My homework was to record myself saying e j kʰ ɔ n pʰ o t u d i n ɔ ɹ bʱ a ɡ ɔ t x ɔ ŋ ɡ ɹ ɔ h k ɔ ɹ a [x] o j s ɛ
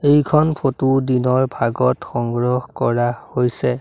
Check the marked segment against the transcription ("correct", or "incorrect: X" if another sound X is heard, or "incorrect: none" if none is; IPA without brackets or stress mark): incorrect: h